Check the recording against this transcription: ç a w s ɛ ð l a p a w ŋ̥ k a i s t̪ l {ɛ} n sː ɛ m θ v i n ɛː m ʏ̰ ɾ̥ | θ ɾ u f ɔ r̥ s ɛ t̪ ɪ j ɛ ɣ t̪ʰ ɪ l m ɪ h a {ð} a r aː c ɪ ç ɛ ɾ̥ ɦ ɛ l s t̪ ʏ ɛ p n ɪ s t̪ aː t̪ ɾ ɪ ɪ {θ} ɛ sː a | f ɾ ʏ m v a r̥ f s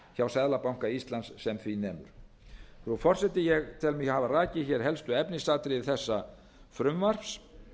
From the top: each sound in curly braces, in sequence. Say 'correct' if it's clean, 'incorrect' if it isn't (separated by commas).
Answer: incorrect, incorrect, correct